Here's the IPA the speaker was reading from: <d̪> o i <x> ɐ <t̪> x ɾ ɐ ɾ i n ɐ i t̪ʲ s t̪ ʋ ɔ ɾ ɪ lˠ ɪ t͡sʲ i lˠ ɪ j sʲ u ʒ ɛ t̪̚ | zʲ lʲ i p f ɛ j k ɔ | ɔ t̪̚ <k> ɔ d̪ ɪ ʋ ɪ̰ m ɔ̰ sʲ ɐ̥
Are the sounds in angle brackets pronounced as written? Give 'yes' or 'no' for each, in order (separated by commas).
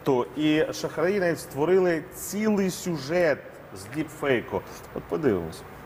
no, no, no, no